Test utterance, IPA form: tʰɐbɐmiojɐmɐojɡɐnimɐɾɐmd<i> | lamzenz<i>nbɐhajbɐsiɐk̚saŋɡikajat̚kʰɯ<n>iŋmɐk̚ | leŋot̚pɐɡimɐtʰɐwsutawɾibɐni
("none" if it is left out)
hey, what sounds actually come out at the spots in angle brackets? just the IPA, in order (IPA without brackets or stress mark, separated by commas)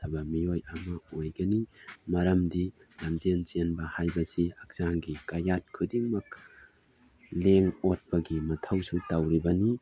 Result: i, e, d